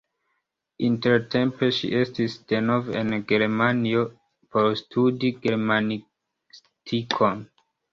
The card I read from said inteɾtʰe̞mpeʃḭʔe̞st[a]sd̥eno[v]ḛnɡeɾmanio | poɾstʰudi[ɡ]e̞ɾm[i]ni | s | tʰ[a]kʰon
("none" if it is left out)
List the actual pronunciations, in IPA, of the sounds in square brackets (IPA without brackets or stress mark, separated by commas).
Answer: i, v, ɡ, a, i